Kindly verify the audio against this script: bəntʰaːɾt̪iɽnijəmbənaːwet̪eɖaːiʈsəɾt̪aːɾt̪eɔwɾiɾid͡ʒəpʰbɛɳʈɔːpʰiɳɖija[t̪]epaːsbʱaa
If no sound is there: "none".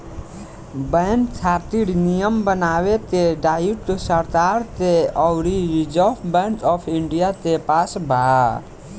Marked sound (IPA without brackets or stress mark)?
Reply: t̪